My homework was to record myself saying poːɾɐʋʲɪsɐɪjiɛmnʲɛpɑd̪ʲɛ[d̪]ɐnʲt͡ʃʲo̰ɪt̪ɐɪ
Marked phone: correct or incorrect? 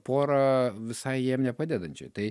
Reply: correct